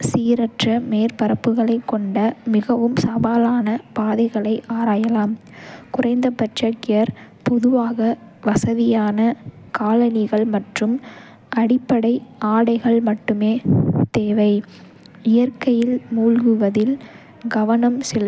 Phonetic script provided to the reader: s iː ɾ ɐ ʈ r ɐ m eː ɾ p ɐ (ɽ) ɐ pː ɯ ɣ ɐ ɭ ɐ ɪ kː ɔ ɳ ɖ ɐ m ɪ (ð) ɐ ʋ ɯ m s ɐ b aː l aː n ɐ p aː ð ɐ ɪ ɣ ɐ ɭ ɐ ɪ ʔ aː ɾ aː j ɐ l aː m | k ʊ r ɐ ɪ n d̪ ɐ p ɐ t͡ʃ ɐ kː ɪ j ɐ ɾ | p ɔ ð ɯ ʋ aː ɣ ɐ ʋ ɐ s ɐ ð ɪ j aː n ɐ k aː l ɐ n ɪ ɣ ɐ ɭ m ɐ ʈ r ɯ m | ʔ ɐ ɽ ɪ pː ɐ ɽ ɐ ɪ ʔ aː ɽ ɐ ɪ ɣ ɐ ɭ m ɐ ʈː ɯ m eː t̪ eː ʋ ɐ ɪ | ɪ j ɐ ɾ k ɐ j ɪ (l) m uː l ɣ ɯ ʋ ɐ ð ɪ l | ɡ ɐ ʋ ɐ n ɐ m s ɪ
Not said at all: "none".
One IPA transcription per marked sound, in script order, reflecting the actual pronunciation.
ɾ, ɣ, l

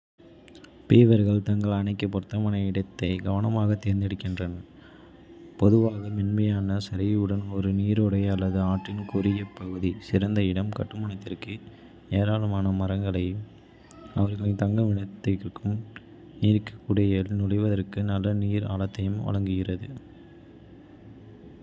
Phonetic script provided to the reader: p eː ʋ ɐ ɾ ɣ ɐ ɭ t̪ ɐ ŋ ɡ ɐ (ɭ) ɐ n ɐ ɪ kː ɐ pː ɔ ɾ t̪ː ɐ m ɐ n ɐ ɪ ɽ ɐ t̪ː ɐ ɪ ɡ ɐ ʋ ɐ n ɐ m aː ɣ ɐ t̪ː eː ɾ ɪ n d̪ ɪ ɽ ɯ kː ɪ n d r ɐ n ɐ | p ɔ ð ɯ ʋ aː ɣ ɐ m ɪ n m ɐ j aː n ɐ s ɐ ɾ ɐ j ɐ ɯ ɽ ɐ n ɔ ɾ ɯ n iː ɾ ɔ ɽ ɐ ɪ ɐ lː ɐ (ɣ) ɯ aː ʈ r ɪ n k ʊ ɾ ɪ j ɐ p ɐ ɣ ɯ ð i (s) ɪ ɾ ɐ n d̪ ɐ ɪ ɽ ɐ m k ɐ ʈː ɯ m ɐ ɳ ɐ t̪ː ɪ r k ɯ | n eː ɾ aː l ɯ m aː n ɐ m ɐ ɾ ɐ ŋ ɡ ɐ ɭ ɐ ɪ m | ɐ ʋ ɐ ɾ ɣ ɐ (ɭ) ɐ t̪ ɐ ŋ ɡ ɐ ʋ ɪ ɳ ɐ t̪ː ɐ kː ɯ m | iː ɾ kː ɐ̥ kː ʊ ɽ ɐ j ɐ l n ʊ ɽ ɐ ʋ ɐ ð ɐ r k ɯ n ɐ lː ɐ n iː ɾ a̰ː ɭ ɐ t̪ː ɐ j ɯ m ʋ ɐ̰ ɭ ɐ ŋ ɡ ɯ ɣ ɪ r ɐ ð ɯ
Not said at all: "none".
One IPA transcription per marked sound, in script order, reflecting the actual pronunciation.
ɭ, ð, s, ɭ

